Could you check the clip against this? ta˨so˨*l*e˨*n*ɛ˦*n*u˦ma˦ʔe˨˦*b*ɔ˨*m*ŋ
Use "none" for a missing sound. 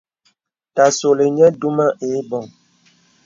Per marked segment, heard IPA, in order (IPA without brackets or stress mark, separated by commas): l, ɲ, d, b, none